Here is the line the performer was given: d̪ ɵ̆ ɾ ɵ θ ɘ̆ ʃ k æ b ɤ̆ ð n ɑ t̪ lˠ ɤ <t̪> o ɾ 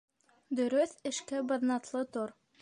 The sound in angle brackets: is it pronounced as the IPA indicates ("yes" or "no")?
yes